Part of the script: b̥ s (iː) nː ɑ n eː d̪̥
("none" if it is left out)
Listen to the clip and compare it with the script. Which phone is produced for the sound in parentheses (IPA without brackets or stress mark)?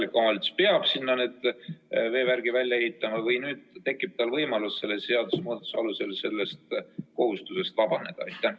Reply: i